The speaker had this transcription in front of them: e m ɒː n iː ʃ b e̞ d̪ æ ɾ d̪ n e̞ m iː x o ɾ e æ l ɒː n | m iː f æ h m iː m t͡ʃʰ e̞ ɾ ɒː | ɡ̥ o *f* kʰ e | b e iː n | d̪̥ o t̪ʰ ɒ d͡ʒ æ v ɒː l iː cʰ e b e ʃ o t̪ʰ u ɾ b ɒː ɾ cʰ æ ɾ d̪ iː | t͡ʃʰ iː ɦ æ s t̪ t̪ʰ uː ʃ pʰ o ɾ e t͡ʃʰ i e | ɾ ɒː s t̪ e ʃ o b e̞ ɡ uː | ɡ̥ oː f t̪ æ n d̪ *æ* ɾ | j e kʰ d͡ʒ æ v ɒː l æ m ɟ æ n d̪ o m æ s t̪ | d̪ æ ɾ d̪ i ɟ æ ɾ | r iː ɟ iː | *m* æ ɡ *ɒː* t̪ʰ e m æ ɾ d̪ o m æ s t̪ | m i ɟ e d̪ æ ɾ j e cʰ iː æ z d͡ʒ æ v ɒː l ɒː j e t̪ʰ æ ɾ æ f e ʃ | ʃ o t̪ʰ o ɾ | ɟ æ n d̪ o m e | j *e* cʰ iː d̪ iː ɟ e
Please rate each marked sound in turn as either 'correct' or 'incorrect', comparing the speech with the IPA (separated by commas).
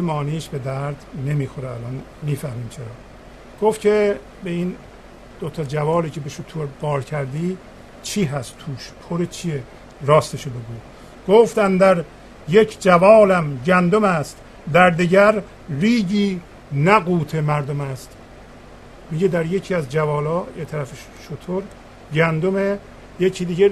correct, correct, incorrect, incorrect, correct